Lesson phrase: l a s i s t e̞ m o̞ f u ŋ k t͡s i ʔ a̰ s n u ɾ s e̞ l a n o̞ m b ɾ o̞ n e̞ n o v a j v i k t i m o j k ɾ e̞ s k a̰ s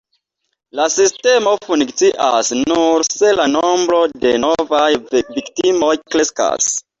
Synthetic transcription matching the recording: l a s i s t e̞ m o̞ f u n k t͡s i ʔ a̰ s n u ɾ s e̞ l a n o̞ m b ɾ o̞ d e̞ n o v a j v i k t i m o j k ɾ e̞ s k a̰ s